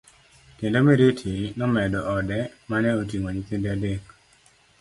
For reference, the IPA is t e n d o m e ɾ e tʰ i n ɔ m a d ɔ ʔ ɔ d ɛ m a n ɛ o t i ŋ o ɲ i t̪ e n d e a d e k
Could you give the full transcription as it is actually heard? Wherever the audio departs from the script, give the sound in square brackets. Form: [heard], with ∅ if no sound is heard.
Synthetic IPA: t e n d o m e ɾ e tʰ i n ɔ m [ɛ] d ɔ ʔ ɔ d ɛ m a n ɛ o t i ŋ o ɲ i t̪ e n d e a d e k